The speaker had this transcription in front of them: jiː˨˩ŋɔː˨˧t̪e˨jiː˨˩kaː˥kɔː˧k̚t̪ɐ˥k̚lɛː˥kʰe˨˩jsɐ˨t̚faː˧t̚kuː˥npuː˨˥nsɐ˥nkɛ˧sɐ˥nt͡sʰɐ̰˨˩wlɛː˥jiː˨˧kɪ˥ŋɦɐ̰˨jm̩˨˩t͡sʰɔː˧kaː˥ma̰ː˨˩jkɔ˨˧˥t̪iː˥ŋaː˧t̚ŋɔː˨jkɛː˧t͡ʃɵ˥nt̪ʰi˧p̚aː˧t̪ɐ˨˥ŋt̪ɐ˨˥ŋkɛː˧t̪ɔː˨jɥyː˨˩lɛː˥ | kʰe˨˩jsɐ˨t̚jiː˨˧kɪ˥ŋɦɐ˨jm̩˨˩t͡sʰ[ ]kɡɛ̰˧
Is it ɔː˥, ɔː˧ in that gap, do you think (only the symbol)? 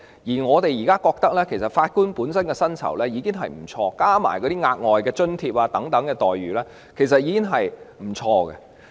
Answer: ɔː˧